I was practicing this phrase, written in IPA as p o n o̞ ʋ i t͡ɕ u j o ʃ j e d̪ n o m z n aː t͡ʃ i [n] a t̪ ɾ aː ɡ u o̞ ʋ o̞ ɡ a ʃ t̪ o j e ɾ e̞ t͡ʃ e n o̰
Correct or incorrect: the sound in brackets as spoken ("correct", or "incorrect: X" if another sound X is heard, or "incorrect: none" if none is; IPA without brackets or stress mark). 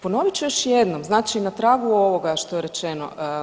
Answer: correct